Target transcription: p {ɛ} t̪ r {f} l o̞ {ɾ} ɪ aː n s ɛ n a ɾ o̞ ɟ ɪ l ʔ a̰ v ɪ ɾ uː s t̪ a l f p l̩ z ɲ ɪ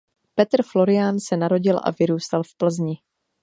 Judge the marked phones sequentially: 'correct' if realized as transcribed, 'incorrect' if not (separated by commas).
correct, correct, correct